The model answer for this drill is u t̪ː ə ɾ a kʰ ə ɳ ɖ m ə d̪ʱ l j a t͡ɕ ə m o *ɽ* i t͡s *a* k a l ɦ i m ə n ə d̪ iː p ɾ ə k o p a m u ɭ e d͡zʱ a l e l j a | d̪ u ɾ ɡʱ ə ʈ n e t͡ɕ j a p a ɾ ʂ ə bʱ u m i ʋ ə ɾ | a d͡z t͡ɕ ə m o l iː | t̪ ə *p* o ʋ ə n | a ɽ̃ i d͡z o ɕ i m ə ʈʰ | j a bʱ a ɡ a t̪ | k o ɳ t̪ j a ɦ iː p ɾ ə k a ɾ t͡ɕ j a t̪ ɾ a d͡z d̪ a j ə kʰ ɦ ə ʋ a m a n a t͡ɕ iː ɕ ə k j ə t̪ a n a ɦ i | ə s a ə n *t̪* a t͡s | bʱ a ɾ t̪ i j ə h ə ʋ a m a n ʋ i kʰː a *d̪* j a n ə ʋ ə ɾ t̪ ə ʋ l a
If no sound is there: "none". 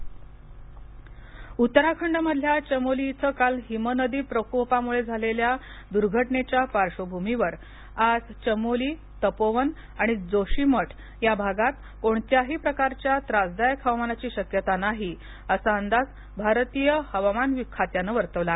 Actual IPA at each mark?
l, ə, p, d̪, t̪

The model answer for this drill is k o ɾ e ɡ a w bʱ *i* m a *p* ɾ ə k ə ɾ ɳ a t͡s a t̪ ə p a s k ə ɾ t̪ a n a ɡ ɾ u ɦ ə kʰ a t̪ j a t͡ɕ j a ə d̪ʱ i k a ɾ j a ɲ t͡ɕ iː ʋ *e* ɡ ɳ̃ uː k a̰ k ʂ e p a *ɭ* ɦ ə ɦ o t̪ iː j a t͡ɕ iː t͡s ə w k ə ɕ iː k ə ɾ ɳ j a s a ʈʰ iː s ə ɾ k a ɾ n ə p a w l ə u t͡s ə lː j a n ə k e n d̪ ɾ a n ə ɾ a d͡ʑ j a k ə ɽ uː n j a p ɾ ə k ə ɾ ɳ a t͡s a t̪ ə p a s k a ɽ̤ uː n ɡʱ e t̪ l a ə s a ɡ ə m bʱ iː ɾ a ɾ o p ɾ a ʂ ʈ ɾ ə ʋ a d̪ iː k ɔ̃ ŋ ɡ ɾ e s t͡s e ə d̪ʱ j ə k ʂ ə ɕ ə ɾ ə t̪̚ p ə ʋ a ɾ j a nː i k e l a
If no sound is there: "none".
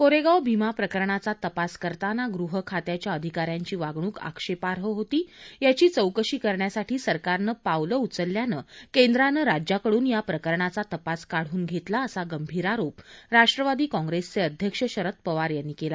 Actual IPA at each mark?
i, p, a, ɾ

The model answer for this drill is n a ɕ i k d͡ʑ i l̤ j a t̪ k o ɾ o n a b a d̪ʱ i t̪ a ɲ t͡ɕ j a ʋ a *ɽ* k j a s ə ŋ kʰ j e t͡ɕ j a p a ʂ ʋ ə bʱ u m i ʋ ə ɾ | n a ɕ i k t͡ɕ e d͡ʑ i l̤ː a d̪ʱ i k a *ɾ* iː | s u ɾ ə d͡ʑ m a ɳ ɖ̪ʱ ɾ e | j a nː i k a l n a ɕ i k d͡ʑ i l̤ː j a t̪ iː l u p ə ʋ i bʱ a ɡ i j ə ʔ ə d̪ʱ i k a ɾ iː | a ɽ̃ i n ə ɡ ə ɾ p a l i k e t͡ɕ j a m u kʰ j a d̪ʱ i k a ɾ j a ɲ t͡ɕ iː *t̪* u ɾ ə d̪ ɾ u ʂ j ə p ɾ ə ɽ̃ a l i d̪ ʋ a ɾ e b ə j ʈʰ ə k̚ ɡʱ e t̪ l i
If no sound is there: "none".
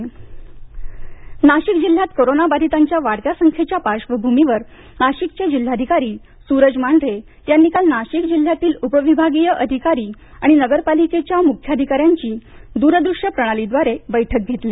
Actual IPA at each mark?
ɽ, ɾ, d̪

